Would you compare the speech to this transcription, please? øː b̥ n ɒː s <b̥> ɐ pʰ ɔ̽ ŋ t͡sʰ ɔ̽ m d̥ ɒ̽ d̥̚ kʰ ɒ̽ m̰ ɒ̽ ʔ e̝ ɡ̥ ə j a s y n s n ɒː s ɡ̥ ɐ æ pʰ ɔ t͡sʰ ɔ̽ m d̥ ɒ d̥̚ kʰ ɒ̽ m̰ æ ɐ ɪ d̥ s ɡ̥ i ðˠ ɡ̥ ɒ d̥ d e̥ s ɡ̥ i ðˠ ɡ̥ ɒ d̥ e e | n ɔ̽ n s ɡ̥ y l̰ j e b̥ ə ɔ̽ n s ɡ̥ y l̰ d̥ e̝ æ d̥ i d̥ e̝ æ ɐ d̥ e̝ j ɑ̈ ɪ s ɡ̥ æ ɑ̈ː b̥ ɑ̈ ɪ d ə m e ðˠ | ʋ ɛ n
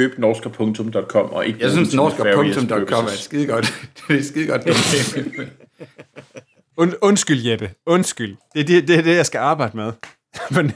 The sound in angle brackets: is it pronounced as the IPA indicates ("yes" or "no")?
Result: no